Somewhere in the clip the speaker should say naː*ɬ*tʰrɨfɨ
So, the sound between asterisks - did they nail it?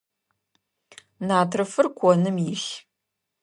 no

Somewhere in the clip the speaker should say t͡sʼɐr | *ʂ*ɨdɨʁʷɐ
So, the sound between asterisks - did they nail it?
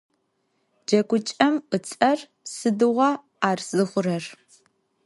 no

